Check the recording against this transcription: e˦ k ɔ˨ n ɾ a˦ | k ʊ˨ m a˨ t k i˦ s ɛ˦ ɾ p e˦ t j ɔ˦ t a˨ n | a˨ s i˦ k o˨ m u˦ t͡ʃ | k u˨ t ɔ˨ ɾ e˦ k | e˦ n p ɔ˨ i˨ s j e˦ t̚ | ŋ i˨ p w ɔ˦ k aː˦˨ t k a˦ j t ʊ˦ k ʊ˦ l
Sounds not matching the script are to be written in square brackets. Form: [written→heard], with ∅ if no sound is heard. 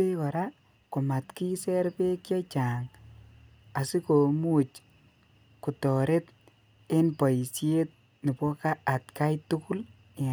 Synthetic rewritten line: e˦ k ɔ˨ [n→∅] ɾ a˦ | k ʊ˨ m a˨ t k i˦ s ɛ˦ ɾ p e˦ [t→k] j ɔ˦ [t→t͡ʃ] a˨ [n→ŋ] | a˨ s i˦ k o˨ m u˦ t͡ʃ | k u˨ t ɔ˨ ɾ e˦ [k→t] | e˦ n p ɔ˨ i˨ s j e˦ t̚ | [ŋ→n] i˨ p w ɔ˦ k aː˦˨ t k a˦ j t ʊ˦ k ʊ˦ l